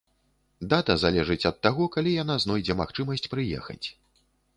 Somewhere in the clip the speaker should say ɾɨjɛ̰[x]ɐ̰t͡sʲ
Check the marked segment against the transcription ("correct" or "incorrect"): correct